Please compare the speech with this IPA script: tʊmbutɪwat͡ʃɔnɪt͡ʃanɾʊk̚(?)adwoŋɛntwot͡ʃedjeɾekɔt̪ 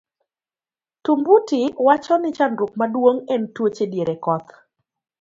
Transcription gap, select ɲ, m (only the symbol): m